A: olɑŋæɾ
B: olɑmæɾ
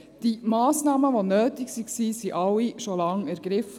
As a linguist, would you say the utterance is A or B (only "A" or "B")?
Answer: A